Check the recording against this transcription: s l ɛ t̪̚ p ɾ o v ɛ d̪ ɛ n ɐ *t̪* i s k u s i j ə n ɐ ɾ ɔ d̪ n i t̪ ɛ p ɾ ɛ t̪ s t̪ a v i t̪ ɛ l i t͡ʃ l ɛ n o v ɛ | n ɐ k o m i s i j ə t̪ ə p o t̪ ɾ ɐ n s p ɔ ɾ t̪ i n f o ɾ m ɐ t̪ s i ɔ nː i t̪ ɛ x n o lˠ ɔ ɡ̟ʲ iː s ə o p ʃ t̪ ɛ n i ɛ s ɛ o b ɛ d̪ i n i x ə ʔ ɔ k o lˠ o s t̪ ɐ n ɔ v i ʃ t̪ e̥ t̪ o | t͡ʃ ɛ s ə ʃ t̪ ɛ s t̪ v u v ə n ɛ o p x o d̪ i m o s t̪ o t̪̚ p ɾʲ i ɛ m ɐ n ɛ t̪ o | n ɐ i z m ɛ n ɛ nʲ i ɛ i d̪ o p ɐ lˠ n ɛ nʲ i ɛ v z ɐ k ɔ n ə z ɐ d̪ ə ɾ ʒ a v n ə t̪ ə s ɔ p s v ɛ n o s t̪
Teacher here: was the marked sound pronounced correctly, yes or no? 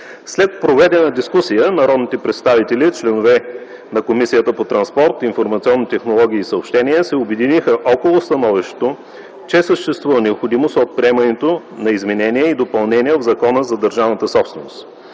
no